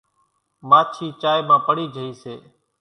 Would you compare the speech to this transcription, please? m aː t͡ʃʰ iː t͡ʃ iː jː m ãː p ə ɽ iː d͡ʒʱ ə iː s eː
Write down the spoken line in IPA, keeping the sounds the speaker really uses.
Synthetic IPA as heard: m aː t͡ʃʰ iː t͡ʃ aː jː m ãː p ə ɽ iː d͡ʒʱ ə iː s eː